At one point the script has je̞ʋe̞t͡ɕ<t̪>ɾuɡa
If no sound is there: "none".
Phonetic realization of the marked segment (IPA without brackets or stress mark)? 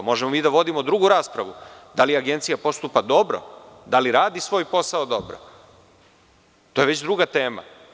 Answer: d̪